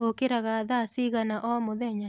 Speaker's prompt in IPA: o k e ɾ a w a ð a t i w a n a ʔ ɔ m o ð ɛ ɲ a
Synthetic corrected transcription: o k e ɾ a ɣ a ð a s i ɣ a n a ʔ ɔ m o ð ɛ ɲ a